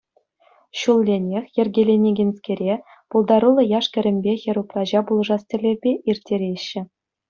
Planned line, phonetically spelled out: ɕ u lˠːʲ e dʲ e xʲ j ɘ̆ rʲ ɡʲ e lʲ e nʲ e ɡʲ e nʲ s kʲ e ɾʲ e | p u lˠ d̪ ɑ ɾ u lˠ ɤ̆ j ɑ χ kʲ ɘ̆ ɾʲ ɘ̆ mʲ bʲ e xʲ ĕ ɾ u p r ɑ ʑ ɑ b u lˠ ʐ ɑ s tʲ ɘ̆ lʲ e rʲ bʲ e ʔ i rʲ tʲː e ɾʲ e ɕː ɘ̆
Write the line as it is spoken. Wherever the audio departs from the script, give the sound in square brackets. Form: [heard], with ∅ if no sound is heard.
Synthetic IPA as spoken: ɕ u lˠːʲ e [nʲ] e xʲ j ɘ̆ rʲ ɡʲ e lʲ e nʲ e ɡʲ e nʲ s kʲ e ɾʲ e | p u lˠ d̪ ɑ ɾ u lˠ ɤ̆ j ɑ [ʂ] kʲ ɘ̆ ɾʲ ɘ̆ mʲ bʲ e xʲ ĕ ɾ u p r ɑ ʑ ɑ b u lˠ ʐ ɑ s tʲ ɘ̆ lʲ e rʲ bʲ e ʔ i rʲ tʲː e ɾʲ e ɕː ɘ̆